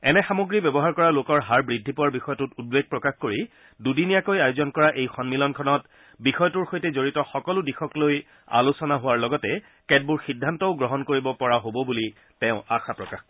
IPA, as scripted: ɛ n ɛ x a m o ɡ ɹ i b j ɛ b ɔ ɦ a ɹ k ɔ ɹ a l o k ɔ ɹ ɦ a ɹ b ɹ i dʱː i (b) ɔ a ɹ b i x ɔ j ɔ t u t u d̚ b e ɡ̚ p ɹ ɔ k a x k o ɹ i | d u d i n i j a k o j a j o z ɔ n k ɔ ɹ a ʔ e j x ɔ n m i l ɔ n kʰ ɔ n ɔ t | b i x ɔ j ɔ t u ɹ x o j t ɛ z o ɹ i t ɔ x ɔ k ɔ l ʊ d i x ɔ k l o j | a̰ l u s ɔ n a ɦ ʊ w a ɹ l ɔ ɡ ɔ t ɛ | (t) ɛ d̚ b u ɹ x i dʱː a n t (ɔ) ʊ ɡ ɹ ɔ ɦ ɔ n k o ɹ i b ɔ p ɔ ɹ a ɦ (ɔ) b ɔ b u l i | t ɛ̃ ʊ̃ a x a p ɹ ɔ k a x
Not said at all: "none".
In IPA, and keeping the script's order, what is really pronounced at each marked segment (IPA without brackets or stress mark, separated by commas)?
p, k, ɔ, o